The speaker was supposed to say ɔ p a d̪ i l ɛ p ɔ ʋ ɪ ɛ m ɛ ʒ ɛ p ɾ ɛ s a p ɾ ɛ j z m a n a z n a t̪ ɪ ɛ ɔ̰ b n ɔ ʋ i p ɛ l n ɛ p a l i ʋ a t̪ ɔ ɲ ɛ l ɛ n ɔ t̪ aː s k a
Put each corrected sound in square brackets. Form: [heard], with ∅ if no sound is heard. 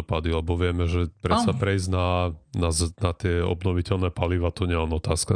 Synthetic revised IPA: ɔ p a d̪ i l ɛ [b] ɔ ʋ ɪ ɛ m ɛ ʒ ɛ p ɾ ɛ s a p ɾ ɛ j z [n] a n a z n a t̪ ɪ ɛ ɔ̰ b n ɔ ʋ i [c] ɛ l n ɛ p a l i ʋ a t̪ ɔ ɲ ɛ l ɛ n ɔ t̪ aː s k a